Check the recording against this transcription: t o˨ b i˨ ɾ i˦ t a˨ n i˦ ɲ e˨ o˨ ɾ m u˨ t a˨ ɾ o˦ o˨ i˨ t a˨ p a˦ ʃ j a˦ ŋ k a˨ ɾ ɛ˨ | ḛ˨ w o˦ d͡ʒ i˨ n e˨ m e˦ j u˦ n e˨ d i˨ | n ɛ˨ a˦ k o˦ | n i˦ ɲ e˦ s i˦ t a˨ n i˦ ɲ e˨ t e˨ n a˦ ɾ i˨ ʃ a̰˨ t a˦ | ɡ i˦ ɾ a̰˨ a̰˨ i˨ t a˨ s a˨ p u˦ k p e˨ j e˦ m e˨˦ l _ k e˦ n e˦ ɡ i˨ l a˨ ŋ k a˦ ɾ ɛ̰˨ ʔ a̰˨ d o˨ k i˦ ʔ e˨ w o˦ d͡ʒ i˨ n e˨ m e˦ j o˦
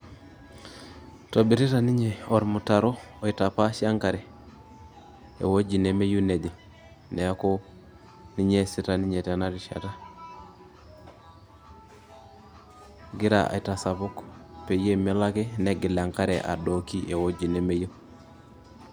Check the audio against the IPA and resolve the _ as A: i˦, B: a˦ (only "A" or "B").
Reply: B